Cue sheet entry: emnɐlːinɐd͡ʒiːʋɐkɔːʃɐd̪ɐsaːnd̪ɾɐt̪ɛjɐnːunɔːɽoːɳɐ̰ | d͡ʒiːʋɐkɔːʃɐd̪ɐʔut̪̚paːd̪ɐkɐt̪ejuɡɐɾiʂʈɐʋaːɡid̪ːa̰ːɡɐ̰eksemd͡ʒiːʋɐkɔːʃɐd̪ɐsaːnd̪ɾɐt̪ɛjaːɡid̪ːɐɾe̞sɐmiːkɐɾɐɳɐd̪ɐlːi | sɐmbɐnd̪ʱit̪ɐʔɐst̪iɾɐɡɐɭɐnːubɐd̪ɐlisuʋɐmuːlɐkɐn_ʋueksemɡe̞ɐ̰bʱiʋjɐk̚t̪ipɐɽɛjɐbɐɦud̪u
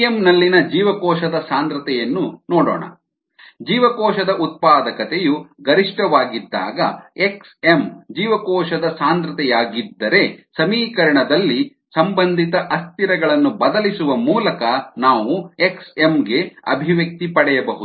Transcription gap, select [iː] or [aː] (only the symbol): aː